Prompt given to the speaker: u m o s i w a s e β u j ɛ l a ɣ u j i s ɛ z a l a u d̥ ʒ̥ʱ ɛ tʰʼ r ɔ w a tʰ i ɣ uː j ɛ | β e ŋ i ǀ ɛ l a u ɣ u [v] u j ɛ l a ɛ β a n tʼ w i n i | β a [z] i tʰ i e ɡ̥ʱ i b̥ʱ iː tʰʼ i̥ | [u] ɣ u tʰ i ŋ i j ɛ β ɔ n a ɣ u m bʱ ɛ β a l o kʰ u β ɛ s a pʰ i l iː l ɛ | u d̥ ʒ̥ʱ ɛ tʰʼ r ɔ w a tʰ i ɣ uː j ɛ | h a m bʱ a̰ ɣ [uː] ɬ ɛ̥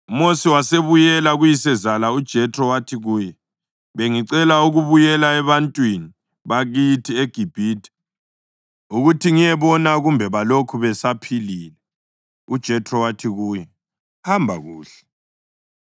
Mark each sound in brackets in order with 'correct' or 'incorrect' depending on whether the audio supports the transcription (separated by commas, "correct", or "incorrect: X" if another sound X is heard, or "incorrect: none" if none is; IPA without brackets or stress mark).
incorrect: β, incorrect: ɣ, correct, correct